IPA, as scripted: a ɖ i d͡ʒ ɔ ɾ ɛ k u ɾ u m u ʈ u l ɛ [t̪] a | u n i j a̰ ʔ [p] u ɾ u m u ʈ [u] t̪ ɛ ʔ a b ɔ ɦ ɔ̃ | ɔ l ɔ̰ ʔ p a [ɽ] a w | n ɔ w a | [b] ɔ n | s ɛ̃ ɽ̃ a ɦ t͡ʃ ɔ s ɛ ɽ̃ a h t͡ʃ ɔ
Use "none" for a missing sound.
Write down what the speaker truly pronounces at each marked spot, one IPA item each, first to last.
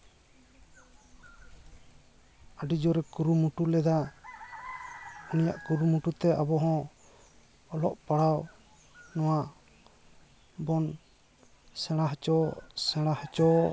d̪, k, u, ɽ, b

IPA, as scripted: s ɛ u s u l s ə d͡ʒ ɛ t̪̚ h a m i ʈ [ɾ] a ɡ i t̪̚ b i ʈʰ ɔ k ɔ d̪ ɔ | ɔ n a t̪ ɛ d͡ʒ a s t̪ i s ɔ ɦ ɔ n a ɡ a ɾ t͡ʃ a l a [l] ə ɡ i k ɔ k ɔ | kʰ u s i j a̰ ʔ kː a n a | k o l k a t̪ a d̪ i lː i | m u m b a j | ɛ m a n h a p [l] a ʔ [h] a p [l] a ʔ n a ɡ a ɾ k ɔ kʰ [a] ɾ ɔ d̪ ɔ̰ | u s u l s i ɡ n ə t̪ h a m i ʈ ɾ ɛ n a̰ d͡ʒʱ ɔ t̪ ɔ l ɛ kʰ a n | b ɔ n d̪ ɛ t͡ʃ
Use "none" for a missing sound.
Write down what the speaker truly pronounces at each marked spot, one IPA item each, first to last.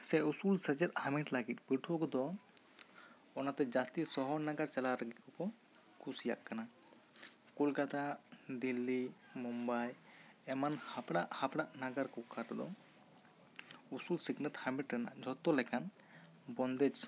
l, ɾ, ɽ, h, ɽ, a

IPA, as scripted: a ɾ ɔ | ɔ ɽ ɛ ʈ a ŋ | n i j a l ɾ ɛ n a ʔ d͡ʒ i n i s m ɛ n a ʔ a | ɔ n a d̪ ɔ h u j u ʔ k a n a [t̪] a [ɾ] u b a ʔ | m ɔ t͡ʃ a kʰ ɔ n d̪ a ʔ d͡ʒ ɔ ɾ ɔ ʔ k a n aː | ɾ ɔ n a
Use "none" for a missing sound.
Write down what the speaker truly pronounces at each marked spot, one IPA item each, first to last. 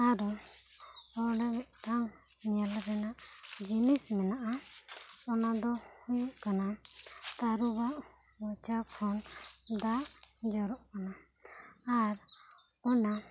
t̪, ɾ

